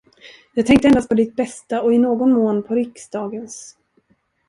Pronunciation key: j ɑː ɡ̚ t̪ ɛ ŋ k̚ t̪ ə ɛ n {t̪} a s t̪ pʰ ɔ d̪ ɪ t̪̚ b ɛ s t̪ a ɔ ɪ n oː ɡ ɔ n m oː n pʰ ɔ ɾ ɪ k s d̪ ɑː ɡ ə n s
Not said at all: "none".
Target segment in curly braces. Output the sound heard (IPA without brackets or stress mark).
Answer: d̪